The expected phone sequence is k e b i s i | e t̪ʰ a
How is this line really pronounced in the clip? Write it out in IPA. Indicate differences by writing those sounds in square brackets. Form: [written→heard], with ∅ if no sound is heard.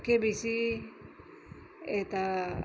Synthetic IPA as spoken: k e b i s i | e [t̪ʰ→t̪] a